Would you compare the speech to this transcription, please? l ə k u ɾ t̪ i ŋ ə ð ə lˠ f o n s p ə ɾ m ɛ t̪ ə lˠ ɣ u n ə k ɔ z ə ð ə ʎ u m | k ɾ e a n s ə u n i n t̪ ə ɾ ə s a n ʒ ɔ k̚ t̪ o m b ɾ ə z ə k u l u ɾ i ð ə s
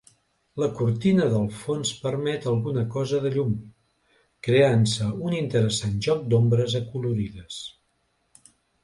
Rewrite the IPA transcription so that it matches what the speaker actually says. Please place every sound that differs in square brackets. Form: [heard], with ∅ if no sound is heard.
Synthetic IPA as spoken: l ə k u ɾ t̪ i [n] ə ð ə lˠ f o n s p ə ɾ m ɛ t̪ ə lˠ ɣ u n ə k ɔ z ə ð ə ʎ u m | k ɾ e a n s ə u n i n t̪ ə ɾ ə s a n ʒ ɔ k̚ [d̪] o m b ɾ ə z ə k u l u ɾ i ð ə s